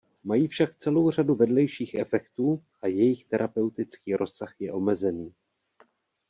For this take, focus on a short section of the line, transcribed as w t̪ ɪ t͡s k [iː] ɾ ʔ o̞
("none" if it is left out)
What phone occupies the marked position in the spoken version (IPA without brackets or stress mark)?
iː